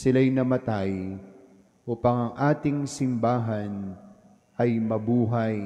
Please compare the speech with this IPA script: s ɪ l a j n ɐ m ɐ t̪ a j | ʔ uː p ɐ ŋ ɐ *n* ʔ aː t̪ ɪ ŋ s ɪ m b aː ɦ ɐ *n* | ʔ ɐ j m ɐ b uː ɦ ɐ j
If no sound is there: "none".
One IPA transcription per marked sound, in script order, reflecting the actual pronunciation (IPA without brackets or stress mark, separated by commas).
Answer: ŋ, n